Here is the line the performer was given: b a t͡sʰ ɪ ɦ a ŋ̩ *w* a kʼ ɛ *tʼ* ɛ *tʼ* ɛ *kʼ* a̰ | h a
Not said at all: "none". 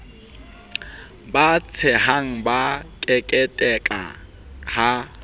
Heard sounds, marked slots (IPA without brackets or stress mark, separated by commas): b, kʼ, tʼ, kʼ